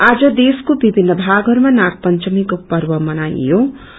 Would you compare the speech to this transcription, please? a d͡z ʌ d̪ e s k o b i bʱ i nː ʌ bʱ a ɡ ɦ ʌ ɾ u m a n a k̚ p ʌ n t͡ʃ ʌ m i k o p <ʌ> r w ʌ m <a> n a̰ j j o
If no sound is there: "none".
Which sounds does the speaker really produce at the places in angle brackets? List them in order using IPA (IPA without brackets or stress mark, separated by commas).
ʌ, ʌ